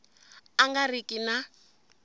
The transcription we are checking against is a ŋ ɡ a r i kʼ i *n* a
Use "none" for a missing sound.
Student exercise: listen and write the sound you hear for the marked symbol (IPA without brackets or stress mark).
n